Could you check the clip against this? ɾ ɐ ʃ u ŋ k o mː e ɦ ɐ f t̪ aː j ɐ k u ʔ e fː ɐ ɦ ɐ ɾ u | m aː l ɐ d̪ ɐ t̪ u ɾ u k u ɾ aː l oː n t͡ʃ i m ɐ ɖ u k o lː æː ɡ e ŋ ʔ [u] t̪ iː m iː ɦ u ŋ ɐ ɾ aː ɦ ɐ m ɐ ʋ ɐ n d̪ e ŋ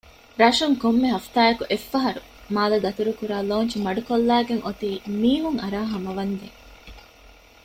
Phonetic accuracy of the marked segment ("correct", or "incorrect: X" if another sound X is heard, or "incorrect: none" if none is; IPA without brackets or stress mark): incorrect: o